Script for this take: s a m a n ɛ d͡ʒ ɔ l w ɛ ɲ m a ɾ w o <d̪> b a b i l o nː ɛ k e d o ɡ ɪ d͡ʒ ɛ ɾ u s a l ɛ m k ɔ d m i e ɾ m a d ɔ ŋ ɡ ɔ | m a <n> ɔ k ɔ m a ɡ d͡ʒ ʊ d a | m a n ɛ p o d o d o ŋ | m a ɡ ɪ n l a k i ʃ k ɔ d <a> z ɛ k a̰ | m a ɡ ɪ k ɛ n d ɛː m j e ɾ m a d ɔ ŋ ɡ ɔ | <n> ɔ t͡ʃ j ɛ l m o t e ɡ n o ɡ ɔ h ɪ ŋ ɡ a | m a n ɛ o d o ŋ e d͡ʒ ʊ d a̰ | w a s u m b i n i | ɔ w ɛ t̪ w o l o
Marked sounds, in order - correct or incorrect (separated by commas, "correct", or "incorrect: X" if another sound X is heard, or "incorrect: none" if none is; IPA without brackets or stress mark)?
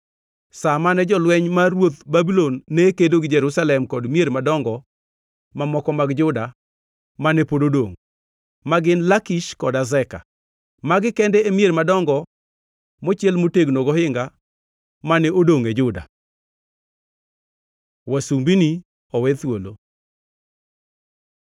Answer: incorrect: t̪, incorrect: m, correct, incorrect: m